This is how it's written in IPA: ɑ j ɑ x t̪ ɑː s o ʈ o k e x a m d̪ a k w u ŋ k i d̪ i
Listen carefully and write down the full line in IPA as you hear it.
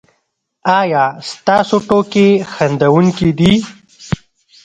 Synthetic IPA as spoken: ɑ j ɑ s t̪ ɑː s o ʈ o k e x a n d̪ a w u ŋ k i d̪ i